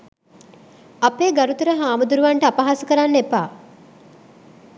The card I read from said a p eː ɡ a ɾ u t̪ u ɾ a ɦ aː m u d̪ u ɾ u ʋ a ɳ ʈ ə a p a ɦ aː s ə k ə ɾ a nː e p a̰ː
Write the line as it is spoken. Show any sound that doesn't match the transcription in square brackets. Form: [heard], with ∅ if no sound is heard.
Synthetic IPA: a p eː ɡ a ɾ u t̪ u ɾ [ə] ɦ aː m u d̪ u ɾ u ʋ a ɳ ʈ ə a p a ɦ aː s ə k ə ɾ a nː e p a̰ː